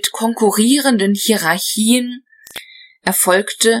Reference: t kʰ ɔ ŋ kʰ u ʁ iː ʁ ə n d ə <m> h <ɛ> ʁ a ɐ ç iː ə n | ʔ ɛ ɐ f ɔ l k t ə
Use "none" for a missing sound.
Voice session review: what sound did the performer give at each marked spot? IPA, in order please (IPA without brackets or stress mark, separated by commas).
n, i